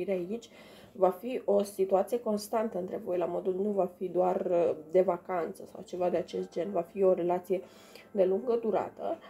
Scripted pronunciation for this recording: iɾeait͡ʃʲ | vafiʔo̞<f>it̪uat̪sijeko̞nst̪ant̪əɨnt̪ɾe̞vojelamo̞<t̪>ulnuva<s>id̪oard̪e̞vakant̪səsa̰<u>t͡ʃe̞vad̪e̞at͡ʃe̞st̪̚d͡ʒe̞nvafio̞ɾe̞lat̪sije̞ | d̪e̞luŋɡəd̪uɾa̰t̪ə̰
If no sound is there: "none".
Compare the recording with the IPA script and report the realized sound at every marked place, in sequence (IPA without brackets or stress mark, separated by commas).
s, d̪, f, w